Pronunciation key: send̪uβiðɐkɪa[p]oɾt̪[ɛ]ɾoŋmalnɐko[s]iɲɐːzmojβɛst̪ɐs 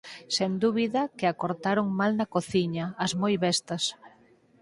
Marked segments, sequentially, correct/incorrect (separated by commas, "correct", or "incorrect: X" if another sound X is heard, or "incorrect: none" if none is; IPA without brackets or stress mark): incorrect: k, incorrect: a, incorrect: θ